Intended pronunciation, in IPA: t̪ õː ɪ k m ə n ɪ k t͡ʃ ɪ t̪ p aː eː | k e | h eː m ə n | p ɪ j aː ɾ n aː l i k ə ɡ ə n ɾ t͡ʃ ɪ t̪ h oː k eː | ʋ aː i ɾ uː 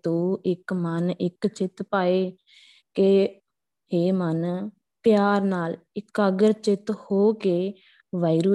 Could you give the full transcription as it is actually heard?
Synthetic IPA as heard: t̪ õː ɪ k m ə n ɪ k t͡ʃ ɪ t̪ p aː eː | k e | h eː m ə n | p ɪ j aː ɾ n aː l ɪ k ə ɡ ə ɾ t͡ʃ ɪ t̪ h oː k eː | ʋ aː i ɾ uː